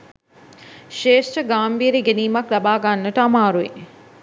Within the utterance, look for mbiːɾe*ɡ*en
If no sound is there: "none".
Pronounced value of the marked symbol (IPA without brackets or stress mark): ɡ